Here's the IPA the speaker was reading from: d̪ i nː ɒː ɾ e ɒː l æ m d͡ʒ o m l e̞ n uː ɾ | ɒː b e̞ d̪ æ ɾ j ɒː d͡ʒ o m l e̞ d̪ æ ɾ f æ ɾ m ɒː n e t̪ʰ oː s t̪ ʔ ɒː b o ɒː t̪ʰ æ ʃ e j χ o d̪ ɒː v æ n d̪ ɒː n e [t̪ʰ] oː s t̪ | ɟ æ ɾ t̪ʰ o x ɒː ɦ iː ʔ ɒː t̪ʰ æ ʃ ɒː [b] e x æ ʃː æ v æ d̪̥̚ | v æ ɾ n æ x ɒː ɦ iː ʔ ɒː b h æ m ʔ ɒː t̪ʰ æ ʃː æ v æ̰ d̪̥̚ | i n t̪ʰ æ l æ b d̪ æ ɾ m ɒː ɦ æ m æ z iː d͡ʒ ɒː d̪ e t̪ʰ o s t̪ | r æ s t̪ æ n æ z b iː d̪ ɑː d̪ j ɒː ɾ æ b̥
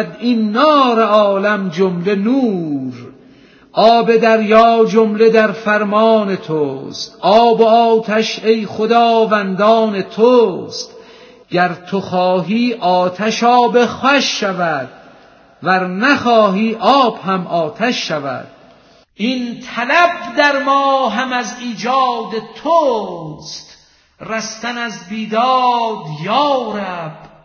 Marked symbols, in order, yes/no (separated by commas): yes, yes